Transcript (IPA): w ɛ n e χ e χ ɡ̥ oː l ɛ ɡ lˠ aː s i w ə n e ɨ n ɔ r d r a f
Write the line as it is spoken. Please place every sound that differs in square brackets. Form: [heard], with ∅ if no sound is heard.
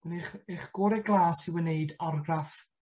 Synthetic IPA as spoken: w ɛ n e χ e χ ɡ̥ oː [ɾ] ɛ ɡ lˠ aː s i w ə n e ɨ [d] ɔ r [ɡ] r a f